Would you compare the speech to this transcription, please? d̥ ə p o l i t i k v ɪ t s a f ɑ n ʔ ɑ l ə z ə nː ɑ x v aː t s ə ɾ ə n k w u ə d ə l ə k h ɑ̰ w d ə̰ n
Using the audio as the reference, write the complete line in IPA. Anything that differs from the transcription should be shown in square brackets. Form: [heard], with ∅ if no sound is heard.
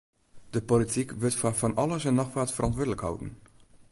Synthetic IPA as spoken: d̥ ə p o l i t i k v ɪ t [f] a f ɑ n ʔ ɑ l ə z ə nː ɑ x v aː t [f] ə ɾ [ɑ] n [t] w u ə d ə l ə k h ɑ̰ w d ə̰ n